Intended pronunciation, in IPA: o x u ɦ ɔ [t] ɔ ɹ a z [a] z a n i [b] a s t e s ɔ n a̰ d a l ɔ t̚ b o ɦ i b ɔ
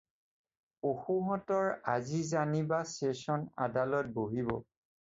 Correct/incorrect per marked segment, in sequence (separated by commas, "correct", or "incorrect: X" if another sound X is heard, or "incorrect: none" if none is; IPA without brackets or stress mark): correct, incorrect: i, correct